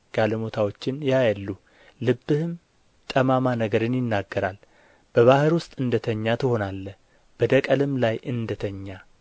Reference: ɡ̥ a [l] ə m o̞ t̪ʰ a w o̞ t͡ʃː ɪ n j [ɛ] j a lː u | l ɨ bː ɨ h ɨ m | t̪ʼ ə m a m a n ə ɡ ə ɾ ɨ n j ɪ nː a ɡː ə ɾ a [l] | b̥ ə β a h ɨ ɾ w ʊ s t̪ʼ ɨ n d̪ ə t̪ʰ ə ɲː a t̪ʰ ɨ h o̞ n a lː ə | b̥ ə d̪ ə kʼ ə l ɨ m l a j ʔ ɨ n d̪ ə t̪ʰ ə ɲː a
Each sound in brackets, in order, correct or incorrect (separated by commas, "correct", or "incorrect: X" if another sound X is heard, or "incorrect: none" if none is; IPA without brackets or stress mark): correct, incorrect: a, correct